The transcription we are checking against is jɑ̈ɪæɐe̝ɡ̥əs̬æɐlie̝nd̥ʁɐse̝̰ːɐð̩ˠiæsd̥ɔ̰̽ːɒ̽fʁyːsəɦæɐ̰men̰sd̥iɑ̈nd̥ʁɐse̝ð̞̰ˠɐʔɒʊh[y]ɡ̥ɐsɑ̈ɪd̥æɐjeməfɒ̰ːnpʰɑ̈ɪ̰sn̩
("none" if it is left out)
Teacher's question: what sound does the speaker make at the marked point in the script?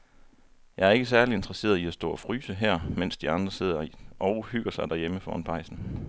y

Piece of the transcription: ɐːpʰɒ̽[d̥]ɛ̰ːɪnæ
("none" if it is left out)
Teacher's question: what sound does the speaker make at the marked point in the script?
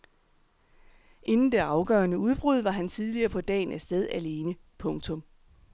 d̥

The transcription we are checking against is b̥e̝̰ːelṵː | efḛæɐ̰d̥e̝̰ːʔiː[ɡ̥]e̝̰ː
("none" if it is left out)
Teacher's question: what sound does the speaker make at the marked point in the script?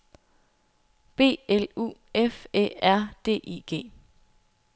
ɡ̥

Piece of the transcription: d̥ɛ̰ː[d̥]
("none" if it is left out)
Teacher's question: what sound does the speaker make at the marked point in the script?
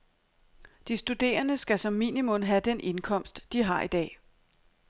none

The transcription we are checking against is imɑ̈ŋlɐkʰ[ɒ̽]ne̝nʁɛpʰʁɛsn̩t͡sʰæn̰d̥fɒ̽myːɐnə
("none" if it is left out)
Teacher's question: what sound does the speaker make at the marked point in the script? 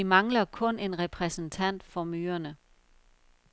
ɔ̽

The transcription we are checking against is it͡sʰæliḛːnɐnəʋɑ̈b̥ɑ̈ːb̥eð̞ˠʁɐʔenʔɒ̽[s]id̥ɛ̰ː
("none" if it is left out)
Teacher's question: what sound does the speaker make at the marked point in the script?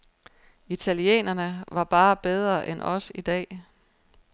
s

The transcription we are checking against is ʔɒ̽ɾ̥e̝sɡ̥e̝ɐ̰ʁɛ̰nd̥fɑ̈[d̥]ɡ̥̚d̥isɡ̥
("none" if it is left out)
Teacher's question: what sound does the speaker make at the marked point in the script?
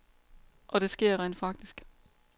none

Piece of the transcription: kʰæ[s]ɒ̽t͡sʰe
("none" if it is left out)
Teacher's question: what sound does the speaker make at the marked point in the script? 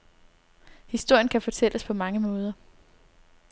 f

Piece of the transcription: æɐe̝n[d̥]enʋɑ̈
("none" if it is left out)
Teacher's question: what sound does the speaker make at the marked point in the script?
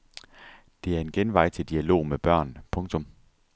ɡ̥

